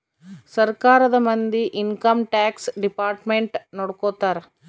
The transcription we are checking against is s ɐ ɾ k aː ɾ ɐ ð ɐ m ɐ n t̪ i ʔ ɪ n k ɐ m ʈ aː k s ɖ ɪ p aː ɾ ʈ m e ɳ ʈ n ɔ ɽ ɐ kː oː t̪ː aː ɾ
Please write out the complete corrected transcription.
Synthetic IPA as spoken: s ɐ ɾ k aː ɾ ɐ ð ɐ m ɐ n d̪ i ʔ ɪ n k ɐ m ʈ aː k s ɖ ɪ p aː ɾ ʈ m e ɳ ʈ n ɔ ɽ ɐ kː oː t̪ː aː ɾ